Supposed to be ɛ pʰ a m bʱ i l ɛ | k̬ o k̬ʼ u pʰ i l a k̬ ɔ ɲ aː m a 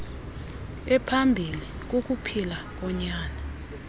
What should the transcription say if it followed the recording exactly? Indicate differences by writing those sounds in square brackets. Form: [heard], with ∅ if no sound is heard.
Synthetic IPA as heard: ɛ pʰ a m bʱ i l [i] | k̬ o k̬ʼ u pʰ i l a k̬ ɔ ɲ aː [n] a